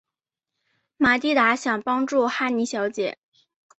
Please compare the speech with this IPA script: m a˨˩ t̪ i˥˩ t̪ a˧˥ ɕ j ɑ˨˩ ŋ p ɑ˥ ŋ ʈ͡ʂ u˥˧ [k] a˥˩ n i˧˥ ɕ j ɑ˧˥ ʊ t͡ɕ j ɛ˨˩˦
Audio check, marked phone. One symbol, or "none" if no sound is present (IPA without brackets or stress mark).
x